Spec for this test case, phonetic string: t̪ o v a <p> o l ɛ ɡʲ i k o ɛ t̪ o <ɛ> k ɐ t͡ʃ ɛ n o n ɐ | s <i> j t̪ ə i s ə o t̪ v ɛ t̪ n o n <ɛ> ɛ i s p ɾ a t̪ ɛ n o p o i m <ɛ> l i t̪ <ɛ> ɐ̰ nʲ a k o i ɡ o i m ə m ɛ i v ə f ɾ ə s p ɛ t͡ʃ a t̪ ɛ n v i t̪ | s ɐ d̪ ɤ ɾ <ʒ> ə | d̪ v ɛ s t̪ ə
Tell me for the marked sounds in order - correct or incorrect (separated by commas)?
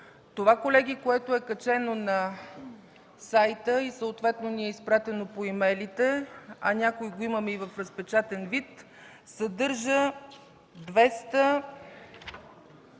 incorrect, correct, incorrect, incorrect, correct, correct, correct